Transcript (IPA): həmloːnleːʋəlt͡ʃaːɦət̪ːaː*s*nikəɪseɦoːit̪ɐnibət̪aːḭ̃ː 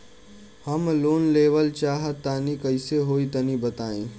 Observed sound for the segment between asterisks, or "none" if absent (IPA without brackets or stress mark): none